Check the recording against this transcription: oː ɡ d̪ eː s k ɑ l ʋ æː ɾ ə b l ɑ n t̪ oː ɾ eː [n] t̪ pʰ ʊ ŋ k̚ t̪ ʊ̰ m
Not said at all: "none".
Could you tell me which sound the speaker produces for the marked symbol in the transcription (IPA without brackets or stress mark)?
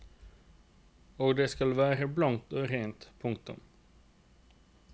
n